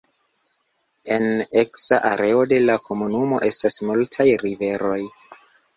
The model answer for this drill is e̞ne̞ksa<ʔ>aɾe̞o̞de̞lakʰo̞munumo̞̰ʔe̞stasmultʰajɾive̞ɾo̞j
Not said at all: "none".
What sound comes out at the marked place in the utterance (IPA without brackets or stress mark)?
ʔ